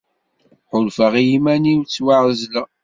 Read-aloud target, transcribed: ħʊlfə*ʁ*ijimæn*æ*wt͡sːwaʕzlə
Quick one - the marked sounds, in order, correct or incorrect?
correct, incorrect: i

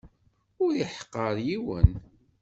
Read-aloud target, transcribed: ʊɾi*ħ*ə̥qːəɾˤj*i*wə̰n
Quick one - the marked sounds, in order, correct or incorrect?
correct, correct

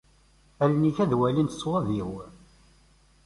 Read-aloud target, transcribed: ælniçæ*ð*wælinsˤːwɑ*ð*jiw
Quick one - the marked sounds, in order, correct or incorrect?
correct, correct

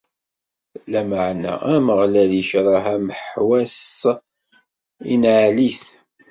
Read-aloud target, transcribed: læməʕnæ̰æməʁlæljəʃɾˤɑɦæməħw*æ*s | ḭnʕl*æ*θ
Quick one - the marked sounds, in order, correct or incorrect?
correct, incorrect: i

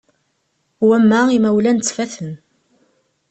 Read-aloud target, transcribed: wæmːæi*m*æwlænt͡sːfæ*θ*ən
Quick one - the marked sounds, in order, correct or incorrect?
correct, correct

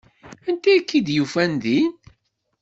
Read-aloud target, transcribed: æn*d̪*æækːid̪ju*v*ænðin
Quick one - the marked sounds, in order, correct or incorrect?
incorrect: t̪, incorrect: f

